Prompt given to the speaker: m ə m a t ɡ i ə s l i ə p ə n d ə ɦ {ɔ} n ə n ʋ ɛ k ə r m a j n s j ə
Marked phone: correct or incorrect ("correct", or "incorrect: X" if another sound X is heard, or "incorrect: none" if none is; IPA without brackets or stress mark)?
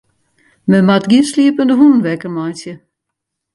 incorrect: u